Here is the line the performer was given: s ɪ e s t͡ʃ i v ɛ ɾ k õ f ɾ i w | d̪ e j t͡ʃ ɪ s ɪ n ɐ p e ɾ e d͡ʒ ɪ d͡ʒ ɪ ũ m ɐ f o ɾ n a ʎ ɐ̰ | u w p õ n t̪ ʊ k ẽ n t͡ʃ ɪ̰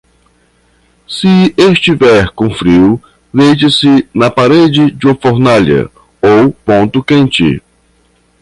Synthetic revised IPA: s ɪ e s t͡ʃ i v ɛ ɾ k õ f ɾ i w | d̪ e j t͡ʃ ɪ s ɪ n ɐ p a ɾ e d͡ʒ ɪ d͡ʒ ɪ ũ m ɐ f o ɾ n a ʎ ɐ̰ | o w p õ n t̪ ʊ k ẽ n t͡ʃ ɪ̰

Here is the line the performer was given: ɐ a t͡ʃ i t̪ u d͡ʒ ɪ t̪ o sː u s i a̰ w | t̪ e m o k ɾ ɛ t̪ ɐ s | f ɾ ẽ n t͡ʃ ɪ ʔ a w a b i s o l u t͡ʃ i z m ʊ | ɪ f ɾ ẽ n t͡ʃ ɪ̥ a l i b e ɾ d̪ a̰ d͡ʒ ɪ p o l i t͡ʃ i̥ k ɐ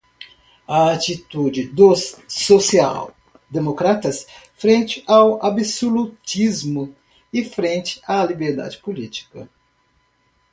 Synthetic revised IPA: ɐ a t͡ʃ i t̪ u d͡ʒ ɪ d̪ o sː o s i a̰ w | d̪ e m o k ɾ a t̪ ɐ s | f ɾ ẽ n t͡ʃ ɪ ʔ a w a b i s o l u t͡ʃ i z m ʊ | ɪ f ɾ ẽ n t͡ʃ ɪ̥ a l i b e ɾ d̪ a̰ d͡ʒ ɪ p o l i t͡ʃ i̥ k ɐ

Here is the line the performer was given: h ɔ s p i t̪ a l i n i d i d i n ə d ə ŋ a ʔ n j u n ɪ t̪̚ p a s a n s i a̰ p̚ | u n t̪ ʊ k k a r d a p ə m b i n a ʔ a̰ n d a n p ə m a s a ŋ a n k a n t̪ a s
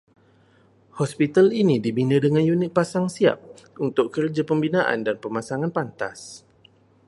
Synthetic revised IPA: h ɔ s p i t̪ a l i n i d i b i n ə d ə ŋ a n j u n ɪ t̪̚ p a s a ŋ s i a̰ p̚ | u n t̪ ʊ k k ə r d͡ʒ a p ə m b i n a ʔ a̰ n d a n p ə m a s a ŋ a n p a n t̪ a s

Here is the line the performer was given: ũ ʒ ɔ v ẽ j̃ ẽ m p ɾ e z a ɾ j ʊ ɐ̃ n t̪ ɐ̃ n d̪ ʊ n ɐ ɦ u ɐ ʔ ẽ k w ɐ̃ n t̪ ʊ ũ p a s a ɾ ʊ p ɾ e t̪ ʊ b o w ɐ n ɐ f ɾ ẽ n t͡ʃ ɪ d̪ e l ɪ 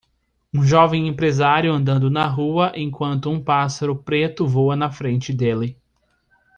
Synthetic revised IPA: ũ ʒ ɔ v ẽ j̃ ẽ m p ɾ e z a ɾ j ʊ ɐ̃ n d̪ ɐ̃ n d̪ ʊ n ɐ ɦ u ɐ ʔ ẽ k w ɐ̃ n t̪ ʊ ũ p a s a ɾ ʊ p ɾ e t̪ ʊ v o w ɐ n ɐ f ɾ ẽ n t͡ʃ ɪ d̪ e l ɪ

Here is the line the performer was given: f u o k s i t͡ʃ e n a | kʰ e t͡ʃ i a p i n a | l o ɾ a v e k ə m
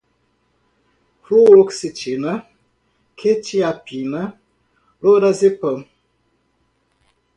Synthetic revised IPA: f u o k s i t͡ʃ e n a | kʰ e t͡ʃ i a p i n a | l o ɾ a z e p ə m

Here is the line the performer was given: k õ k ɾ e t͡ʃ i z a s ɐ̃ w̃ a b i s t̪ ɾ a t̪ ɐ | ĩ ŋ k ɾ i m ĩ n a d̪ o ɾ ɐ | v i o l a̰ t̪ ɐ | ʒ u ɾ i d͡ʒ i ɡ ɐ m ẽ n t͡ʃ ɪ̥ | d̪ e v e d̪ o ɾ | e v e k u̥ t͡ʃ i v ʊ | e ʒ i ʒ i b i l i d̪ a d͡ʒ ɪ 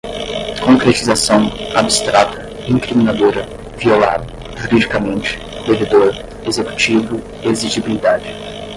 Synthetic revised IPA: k õ k ɾ e t͡ʃ i z a s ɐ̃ w̃ a b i s t̪ ɾ a t̪ ɐ | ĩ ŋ k ɾ i m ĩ n a d̪ o ɾ ɐ | v i o l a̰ d̪ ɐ | ʒ u ɾ i d͡ʒ i k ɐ m ẽ n t͡ʃ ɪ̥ | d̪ e v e d̪ o ɾ | e z e k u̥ t͡ʃ i v ʊ | e z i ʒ i b i l i d̪ a d͡ʒ ɪ

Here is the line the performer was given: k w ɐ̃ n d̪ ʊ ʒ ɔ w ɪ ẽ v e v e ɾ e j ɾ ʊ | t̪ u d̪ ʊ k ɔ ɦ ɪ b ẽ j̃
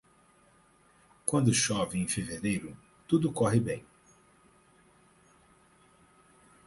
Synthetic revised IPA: k w ɐ̃ n d̪ ʊ ʃ ɔ v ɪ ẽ f e v e ɾ e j ɾ ʊ | t̪ u d̪ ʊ k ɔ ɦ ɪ b ẽ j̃

